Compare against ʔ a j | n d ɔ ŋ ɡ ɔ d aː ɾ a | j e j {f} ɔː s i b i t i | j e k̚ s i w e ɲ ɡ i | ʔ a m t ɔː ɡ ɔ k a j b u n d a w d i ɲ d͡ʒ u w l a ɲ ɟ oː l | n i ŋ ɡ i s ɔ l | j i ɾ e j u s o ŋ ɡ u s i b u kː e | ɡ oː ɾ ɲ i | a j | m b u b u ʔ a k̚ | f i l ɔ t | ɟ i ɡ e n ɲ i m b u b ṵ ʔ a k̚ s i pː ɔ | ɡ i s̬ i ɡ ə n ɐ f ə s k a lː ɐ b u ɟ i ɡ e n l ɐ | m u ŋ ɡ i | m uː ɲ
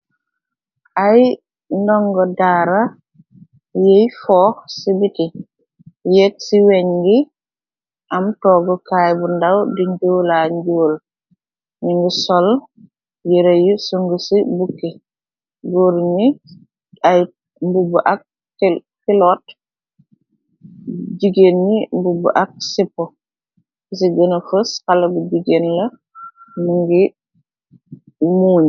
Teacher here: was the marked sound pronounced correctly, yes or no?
yes